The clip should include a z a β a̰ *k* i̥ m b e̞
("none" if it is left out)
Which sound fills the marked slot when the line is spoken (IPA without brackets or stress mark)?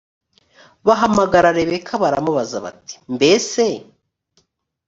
t